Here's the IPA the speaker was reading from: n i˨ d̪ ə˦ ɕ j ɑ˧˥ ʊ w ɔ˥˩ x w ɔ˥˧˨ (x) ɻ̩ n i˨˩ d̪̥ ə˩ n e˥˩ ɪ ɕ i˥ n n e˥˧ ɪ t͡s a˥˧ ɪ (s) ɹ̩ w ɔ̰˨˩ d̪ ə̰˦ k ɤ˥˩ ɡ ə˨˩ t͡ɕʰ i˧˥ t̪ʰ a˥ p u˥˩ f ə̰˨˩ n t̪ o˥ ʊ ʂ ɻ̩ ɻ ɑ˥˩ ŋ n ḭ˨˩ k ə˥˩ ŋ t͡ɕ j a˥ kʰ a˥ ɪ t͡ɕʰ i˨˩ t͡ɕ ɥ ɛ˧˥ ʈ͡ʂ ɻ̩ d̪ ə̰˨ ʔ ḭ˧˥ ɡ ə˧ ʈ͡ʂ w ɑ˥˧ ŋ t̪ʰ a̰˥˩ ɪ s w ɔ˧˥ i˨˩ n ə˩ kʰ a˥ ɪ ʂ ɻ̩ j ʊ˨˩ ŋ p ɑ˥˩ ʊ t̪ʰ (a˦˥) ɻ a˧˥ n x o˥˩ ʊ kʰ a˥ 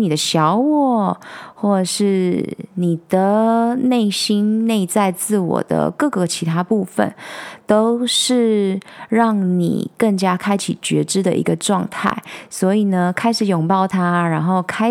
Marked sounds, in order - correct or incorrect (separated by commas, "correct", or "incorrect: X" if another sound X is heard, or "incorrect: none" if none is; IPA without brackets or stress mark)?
incorrect: ʂ, incorrect: t͡s, correct